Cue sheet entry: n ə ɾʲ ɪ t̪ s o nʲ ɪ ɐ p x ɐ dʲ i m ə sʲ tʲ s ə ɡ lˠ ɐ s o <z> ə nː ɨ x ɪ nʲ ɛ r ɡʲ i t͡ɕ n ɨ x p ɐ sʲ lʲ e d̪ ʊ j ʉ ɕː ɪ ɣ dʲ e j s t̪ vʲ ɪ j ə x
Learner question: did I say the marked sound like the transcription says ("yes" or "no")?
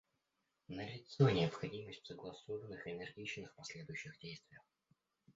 no